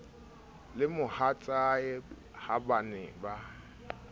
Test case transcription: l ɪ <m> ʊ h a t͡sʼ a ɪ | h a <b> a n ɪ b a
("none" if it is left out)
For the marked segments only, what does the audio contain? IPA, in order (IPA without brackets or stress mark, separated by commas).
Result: m, b